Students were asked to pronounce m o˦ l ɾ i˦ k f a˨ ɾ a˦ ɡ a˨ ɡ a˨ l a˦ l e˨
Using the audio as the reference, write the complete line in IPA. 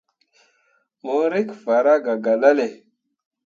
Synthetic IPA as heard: m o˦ ɾ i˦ k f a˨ ɾ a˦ ɡ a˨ ɡ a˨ l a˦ l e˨